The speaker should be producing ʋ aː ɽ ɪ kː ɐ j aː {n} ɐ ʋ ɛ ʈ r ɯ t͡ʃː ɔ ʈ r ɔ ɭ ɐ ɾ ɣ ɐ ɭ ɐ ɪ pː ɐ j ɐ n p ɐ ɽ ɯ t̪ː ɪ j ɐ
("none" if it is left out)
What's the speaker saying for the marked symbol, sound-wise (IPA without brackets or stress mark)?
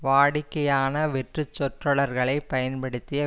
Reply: n